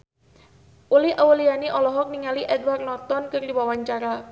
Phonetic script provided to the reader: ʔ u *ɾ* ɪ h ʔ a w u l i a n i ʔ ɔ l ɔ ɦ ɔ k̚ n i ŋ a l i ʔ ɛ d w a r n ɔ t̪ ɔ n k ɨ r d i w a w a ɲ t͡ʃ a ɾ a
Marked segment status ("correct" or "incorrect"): incorrect